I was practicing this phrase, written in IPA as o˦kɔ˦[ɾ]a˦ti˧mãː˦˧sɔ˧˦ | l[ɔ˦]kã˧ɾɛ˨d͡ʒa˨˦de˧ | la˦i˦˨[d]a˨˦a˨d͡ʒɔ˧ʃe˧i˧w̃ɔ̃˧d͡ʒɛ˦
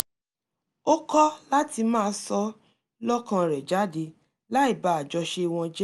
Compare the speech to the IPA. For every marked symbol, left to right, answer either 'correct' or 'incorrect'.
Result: incorrect, correct, incorrect

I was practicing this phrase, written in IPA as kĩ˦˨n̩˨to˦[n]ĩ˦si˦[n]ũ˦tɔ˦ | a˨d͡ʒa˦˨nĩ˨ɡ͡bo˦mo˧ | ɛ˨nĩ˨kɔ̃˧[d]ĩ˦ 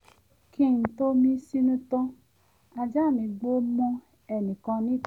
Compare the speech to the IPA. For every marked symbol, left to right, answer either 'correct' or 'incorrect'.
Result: incorrect, correct, incorrect

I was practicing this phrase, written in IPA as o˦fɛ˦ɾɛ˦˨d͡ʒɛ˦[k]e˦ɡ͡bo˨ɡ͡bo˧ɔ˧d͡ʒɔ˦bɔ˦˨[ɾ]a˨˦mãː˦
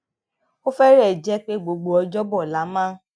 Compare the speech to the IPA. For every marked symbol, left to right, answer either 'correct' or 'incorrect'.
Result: incorrect, incorrect

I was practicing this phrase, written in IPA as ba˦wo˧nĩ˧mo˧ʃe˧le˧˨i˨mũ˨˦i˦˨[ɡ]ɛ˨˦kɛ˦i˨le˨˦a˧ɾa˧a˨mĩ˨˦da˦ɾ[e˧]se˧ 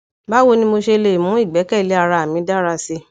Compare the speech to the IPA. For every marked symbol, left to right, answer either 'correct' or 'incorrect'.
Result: incorrect, incorrect

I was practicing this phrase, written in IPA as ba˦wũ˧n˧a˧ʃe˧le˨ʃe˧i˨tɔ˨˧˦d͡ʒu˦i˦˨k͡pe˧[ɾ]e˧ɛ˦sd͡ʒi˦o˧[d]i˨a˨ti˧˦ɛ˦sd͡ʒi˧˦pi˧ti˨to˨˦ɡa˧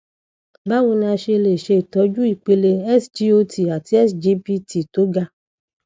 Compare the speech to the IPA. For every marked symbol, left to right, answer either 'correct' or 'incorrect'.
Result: incorrect, incorrect

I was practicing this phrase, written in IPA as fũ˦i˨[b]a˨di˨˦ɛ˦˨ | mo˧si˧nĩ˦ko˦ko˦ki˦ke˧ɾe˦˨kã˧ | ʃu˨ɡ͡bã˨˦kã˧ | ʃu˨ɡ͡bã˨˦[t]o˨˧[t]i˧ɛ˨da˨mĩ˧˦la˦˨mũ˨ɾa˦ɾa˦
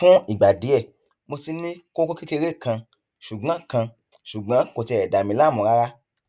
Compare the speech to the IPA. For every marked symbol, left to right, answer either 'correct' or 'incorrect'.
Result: incorrect, incorrect, correct

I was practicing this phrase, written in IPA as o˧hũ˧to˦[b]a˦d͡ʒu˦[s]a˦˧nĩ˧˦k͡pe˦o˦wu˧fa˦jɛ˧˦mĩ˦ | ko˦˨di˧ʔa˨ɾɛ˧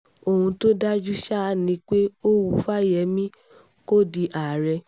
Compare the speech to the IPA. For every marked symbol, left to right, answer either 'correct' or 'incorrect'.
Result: incorrect, incorrect

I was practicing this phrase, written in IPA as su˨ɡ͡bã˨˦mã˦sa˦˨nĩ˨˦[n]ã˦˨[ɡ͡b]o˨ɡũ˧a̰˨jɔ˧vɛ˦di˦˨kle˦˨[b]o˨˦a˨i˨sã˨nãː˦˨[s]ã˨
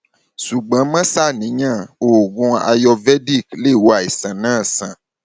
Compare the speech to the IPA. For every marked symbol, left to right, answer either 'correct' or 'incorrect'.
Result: incorrect, incorrect, incorrect, correct

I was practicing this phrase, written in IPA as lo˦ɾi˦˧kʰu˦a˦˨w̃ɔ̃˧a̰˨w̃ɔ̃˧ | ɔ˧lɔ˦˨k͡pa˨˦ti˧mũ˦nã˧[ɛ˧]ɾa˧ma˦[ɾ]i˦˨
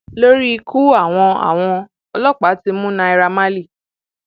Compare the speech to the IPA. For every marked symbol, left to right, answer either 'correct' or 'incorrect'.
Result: incorrect, incorrect

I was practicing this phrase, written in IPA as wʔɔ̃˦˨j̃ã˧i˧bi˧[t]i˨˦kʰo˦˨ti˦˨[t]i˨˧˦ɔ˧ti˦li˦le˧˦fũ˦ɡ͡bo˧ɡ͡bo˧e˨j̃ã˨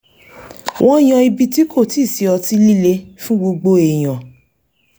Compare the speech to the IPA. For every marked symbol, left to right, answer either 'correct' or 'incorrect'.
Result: correct, incorrect

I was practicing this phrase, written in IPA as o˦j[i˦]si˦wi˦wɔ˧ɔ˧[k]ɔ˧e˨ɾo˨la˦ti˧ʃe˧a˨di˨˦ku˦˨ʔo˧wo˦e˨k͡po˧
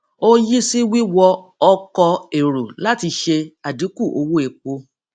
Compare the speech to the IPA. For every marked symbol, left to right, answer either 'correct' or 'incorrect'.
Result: correct, correct

